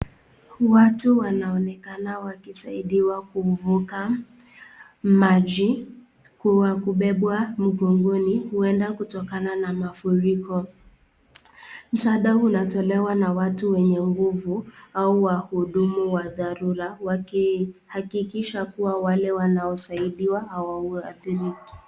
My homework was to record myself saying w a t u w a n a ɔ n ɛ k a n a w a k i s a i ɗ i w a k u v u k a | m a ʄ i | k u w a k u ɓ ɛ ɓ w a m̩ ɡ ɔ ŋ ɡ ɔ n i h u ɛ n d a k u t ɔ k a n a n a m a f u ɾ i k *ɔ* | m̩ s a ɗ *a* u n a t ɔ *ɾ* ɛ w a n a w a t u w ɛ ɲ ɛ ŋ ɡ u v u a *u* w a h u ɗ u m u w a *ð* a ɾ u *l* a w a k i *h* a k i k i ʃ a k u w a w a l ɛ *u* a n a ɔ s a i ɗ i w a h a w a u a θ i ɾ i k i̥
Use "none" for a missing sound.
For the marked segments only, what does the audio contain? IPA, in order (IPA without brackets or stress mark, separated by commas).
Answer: ɔ, a, l, u, ð, ɾ, h, w